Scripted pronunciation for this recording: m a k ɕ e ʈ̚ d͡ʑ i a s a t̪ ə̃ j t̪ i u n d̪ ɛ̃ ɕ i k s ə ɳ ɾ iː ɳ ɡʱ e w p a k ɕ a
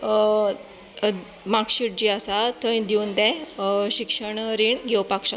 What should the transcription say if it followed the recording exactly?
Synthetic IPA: m a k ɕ i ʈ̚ d͡ʑ i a s a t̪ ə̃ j d̪ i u n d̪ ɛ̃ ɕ i k ʂ ə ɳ ɾ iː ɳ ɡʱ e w p a k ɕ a